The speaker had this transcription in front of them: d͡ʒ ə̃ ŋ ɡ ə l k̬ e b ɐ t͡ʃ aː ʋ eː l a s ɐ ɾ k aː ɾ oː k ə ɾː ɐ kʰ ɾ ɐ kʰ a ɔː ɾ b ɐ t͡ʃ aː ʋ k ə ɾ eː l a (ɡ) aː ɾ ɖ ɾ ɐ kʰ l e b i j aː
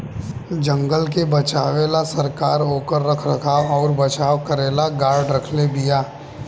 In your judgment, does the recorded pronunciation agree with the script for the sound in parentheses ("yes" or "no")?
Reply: yes